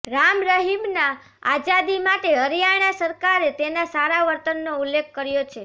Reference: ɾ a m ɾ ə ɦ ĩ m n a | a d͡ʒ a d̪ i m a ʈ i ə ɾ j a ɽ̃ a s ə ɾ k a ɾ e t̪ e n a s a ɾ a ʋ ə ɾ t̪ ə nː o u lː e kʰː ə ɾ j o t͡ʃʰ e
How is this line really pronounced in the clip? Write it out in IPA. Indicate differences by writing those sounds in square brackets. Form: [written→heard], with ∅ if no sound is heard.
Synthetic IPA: ɾ a m ɾ ə ɦ [ĩ→i] m n a | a d͡ʒ a d̪ i m a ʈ [i→e] ə ɾ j a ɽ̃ a s ə ɾ k a ɾ e t̪ e n a s a ɾ a ʋ ə ɾ t̪ ə nː o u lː e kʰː ə ɾ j o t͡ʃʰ e

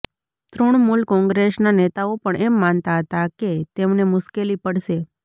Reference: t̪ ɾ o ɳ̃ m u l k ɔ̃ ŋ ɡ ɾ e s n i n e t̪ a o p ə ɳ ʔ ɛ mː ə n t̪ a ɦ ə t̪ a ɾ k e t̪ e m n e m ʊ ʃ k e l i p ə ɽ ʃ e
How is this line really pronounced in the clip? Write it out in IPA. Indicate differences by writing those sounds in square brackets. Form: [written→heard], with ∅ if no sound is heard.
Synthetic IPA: t̪ ɾ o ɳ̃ m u l k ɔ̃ ŋ ɡ ɾ e s n [i→a] n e t̪ a o p ə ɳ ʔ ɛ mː [ə→a] n t̪ a ɦ ə t̪ a [ɾ→∅] k e t̪ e m n e m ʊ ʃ k e l i p ə ɽ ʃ e

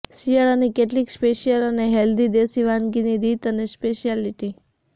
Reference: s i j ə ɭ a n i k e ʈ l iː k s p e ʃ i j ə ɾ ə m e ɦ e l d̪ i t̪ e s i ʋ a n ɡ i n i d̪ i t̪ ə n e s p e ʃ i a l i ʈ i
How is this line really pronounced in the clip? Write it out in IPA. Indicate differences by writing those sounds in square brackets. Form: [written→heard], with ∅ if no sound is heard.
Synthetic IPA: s i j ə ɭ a n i k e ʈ l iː k s p e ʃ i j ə [ɾ→l] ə [m→n] e ɦ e l d̪ i [t̪→d̪] e s i ʋ a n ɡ i n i d̪ i t̪ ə n e s p e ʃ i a l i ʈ i

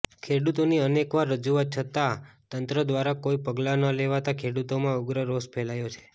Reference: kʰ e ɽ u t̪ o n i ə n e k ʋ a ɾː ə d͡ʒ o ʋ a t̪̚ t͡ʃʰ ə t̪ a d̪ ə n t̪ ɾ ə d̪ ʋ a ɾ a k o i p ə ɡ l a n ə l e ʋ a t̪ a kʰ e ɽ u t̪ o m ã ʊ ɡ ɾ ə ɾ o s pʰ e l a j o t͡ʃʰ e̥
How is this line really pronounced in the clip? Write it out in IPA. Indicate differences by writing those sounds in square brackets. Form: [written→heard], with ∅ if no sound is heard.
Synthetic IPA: kʰ e ɽ u t̪ o n i ə n e k ʋ a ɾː ə d͡ʒ [o→u] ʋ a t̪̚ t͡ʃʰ ə t̪ a [d̪→t̪] ə n t̪ ɾ ə d̪ ʋ a ɾ a k o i p ə ɡ l a n ə l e ʋ a t̪ a kʰ e ɽ u t̪ o m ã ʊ ɡ ɾ ə ɾ o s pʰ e l a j o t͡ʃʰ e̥

